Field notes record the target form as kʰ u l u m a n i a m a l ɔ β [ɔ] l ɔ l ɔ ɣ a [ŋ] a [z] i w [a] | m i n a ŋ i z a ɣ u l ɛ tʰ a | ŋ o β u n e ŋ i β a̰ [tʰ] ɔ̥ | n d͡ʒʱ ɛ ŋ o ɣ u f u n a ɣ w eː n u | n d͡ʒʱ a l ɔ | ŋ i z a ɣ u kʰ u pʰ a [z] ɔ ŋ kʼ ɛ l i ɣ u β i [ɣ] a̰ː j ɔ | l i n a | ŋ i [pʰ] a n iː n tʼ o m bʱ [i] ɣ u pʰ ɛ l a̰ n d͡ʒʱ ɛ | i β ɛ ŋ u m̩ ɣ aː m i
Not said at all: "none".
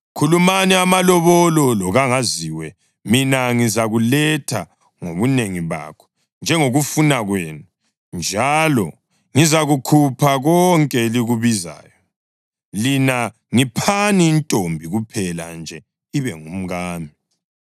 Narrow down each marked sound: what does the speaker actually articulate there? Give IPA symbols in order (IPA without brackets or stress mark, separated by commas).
ɔ, ŋ, z, ɛ, kʰ, ɣ, z, pʰ, i